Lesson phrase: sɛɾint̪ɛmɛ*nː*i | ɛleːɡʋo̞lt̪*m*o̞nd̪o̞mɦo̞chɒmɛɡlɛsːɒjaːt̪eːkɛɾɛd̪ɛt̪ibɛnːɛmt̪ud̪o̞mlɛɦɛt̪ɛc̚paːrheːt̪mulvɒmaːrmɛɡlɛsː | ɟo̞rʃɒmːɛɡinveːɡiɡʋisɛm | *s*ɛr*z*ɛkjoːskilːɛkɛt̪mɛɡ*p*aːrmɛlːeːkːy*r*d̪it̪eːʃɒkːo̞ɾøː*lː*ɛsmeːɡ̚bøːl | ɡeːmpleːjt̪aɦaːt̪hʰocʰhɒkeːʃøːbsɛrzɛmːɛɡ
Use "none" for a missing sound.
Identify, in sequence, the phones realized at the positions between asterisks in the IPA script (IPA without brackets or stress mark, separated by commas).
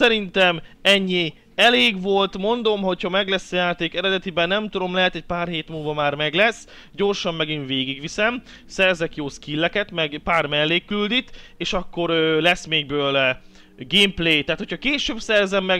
ɲː, m, s, z, p, l, l